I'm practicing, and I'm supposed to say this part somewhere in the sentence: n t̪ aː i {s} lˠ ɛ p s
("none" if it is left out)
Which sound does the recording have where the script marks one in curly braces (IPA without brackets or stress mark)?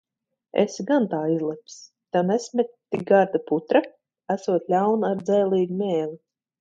z